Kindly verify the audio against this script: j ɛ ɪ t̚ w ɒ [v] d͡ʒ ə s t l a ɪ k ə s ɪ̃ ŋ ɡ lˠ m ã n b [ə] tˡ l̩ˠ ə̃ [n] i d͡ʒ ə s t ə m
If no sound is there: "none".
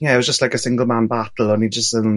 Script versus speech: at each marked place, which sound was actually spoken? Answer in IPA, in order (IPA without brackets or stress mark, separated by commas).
z, a, n